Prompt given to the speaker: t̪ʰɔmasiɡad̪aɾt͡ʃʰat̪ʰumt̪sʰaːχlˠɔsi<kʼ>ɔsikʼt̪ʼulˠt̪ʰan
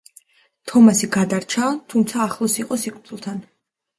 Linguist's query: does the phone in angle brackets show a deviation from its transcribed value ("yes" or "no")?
yes